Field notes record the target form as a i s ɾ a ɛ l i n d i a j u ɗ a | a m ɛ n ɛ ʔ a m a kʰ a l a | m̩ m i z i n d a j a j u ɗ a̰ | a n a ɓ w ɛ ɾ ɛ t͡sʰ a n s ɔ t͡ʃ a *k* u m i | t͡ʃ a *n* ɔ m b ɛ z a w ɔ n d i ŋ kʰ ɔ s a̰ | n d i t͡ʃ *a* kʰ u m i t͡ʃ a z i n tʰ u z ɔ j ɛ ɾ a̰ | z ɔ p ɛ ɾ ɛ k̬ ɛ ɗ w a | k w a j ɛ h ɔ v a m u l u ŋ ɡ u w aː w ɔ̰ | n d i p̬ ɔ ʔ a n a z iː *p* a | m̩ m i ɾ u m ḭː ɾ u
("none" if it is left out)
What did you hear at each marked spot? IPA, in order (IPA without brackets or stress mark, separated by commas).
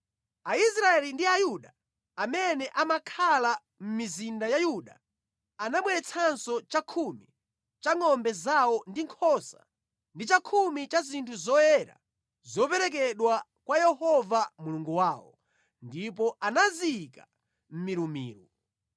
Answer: kʰ, ŋ, a, k